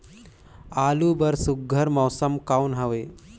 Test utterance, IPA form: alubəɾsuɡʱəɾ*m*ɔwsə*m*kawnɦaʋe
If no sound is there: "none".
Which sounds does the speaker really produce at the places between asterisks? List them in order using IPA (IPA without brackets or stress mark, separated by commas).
m, m